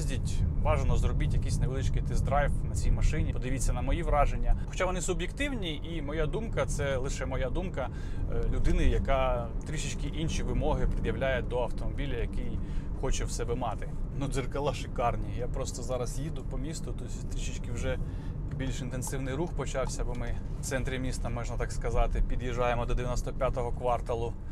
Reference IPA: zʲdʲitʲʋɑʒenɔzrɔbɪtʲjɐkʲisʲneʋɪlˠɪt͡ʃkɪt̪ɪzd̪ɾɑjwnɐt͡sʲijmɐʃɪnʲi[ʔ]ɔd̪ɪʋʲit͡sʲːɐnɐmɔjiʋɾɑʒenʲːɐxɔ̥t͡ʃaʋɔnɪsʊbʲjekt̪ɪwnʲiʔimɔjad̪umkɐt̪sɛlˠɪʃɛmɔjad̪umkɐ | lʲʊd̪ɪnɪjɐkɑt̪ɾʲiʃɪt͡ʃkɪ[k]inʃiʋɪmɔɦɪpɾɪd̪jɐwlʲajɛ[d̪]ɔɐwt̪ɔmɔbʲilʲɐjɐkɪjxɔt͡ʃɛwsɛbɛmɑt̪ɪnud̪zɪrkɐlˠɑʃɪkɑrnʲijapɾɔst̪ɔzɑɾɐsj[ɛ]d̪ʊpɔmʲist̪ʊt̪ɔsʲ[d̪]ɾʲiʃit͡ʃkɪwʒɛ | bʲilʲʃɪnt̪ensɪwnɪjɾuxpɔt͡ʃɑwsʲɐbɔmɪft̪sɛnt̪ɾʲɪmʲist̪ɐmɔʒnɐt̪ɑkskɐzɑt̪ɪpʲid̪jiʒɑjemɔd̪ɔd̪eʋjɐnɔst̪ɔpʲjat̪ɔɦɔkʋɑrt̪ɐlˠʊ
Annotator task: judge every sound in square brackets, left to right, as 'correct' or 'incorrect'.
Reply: incorrect: p, incorrect: ʔ, correct, incorrect: i, incorrect: t̪

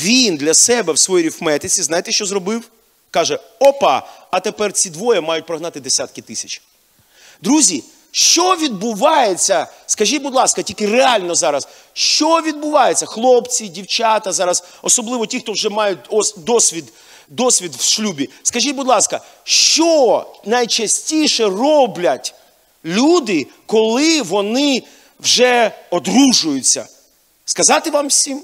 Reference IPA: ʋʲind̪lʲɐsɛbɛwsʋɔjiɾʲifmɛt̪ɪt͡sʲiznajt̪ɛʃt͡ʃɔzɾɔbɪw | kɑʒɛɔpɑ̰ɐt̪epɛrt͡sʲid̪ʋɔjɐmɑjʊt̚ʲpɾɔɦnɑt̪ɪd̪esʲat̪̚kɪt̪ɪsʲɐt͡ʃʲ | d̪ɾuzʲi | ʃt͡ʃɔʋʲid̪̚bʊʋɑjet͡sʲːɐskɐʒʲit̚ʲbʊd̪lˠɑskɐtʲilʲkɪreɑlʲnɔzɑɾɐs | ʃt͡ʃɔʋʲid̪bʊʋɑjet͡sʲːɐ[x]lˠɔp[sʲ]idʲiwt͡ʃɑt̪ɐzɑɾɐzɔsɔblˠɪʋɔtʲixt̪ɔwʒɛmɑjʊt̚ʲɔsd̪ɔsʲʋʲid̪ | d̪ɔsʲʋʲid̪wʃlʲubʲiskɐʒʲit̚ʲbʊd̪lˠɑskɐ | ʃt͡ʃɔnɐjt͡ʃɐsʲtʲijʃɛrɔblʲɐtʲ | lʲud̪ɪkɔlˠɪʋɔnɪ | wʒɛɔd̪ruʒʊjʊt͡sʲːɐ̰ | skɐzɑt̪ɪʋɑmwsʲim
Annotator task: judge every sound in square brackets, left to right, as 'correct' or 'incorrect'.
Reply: correct, incorrect: t͡sʲ

